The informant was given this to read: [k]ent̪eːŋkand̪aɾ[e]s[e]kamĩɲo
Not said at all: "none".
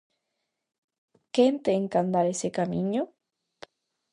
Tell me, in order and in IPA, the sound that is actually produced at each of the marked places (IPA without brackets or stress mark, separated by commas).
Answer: k, e, e